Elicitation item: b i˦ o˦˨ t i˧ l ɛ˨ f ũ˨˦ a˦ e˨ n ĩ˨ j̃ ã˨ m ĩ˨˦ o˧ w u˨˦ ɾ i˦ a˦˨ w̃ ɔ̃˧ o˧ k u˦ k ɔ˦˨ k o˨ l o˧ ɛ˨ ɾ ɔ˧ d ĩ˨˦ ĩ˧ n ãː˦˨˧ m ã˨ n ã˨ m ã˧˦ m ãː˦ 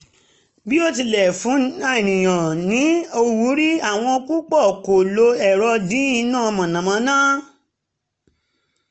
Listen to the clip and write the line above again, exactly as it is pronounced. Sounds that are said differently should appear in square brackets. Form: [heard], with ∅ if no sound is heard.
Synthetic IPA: b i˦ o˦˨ t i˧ l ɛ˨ f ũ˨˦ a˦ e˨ n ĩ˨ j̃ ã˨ [n] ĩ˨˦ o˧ w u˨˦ ɾ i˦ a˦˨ w̃ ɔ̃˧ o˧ k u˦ [k͡p] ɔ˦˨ k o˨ l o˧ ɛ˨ ɾ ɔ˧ d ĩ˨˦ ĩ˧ n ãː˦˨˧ m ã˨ n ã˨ m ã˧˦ [n] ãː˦